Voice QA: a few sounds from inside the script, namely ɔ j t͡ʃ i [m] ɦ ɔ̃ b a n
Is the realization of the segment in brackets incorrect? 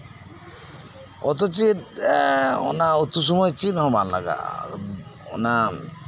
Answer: yes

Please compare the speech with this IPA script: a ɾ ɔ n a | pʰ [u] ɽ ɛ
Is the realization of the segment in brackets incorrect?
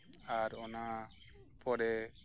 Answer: yes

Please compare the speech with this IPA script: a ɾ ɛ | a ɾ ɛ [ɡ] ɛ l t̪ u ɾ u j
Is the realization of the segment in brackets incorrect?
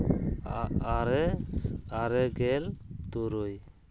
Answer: no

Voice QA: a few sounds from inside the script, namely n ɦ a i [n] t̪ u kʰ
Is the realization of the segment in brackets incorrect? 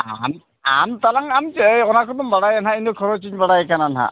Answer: no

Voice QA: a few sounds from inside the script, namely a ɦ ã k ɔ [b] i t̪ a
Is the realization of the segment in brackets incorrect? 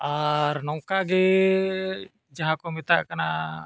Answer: yes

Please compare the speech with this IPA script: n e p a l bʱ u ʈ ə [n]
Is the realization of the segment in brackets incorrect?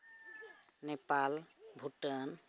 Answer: no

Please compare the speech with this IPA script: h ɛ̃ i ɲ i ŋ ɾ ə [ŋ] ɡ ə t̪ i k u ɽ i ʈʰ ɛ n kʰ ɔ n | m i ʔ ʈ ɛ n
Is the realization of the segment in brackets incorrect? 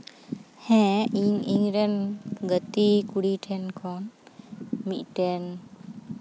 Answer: yes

